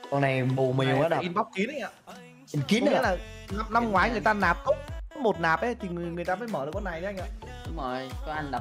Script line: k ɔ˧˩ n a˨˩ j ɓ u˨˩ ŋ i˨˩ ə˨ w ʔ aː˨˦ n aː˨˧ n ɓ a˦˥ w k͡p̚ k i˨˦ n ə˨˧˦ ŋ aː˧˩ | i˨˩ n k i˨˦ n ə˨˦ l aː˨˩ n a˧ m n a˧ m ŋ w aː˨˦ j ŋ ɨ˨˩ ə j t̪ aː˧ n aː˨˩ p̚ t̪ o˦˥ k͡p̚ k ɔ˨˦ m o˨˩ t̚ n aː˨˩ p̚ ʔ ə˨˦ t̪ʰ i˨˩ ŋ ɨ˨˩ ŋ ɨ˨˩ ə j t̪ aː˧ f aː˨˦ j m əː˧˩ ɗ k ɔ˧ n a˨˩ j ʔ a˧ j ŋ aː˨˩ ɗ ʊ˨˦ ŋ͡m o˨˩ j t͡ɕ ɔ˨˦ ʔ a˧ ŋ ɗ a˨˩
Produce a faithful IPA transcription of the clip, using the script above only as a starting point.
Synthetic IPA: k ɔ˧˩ n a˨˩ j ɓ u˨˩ m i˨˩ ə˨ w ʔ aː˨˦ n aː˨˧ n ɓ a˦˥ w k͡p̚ k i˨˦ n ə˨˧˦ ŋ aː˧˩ | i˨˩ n k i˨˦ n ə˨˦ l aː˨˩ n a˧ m n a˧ m ŋ w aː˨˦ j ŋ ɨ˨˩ ə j t̪ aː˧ n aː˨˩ p̚ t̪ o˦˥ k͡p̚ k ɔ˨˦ m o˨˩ t̚ n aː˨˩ p̚ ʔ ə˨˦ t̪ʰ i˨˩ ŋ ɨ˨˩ ŋ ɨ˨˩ ə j t̪ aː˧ f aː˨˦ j m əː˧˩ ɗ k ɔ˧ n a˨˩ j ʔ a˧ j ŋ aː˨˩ ɗ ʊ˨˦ ŋ͡m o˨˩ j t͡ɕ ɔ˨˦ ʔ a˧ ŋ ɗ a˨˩